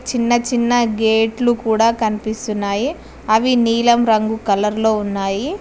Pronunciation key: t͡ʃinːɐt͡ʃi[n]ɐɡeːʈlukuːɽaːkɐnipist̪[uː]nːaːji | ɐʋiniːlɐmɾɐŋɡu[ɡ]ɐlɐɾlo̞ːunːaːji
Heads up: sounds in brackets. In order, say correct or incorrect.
incorrect: nː, incorrect: u, incorrect: k

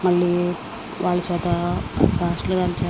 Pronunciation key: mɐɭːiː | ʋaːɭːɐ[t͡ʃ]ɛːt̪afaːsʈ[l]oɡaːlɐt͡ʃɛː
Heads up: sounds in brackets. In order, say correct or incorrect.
correct, correct

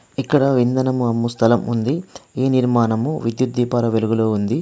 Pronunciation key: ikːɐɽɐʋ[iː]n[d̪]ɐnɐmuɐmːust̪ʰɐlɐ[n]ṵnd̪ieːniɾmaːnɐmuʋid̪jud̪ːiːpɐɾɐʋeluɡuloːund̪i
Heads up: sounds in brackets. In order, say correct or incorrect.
incorrect: i, correct, incorrect: m

